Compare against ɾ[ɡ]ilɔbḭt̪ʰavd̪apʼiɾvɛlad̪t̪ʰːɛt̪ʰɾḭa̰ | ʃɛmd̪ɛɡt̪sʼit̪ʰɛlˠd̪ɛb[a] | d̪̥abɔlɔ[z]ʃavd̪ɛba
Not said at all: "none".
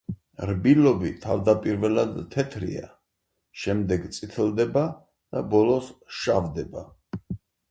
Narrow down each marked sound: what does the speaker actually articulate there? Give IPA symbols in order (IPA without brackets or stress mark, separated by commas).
b, a, s